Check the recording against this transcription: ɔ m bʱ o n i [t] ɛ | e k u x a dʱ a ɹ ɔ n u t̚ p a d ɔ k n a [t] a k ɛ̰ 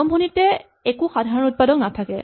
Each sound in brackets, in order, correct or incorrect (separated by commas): correct, incorrect